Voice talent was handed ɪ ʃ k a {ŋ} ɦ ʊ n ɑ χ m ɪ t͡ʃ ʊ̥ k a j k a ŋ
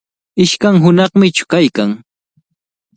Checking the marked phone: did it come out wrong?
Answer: no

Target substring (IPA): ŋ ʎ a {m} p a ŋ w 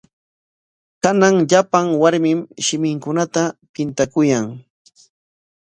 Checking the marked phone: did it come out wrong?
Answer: yes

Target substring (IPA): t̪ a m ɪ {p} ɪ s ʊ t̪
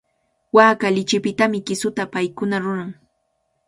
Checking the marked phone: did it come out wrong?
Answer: yes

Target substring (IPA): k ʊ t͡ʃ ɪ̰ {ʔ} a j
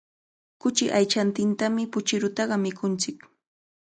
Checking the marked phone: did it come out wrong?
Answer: no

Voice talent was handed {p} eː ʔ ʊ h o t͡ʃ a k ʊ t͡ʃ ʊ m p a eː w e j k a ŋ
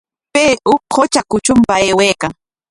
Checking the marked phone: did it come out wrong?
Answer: no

